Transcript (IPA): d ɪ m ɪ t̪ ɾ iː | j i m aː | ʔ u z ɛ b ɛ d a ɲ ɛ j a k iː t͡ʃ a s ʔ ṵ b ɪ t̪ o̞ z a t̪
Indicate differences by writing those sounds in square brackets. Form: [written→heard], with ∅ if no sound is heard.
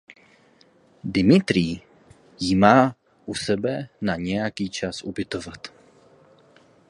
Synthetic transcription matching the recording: d ɪ m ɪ t̪ ɾ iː | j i m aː | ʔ u [z→s] ɛ b ɛ [d→n] a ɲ ɛ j a k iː t͡ʃ a s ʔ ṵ b ɪ t̪ o̞ [z→v] a t̪